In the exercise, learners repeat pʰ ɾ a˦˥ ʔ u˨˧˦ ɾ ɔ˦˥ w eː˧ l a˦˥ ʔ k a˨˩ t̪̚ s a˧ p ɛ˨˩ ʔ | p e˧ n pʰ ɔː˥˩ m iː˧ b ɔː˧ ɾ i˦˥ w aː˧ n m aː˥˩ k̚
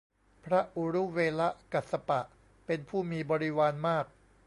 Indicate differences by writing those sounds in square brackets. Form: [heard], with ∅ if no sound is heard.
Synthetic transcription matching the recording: pʰ ɾ a˦˥ ʔ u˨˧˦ ɾ [u˦˥] w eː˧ l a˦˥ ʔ k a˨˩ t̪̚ s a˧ p [a˨˩] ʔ | p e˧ n pʰ [uː˥˩] m iː˧ b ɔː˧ ɾ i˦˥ w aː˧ n m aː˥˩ k̚